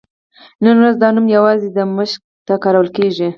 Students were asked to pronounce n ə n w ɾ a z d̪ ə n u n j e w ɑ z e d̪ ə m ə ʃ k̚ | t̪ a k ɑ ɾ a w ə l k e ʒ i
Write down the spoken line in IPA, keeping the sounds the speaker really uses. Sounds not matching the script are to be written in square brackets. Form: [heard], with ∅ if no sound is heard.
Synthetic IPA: n ə n w ɾ a z d̪ [ɑ] n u [m] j [a] w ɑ z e d̪ ə m ə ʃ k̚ | t̪ a k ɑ ɾ a w ə l k e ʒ i